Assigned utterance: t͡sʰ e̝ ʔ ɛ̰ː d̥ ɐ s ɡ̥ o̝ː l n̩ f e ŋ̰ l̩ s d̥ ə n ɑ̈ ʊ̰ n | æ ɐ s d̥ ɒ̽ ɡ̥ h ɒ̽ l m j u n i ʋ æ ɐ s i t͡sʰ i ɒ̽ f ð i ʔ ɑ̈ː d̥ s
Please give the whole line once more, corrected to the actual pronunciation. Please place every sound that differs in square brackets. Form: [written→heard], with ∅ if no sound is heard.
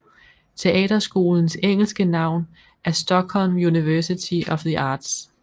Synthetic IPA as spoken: t͡sʰ e̝ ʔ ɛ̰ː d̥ ɐ s ɡ̥ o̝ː l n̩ [f→s] e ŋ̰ l̩ s [d̥→ɡ̥] ə n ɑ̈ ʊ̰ n | æ ɐ s d̥ ɒ̽ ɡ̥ h ɒ̽ l m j u n i ʋ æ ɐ s i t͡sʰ i ɒ̽ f ð i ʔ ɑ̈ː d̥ s